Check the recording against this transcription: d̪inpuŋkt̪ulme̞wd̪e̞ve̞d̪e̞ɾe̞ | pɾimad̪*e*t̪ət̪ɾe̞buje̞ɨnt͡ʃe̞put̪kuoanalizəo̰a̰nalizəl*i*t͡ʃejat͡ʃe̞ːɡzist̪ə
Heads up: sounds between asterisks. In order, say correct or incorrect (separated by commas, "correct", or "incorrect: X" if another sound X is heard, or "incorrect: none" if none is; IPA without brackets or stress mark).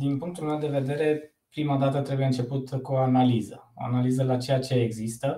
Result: incorrect: a, incorrect: a